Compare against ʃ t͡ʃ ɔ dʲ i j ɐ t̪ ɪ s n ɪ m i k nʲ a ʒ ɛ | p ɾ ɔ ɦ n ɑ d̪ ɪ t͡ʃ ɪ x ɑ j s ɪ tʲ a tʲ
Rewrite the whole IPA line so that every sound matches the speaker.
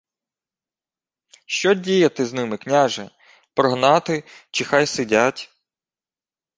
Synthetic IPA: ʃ t͡ʃ ɔ dʲ i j ɐ t̪ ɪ z n ɪ m ɪ k nʲ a ʒ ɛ | p ɾ ɔ ɦ n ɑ t̪ ɪ t͡ʃ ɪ x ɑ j s ɪ dʲ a tʲ